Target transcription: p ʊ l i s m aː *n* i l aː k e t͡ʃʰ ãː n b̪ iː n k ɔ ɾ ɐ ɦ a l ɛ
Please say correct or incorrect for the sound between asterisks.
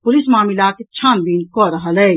incorrect